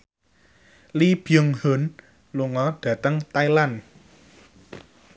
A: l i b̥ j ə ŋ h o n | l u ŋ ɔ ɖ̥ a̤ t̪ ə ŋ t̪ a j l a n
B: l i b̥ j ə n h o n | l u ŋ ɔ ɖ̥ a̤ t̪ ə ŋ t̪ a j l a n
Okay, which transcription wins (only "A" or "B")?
A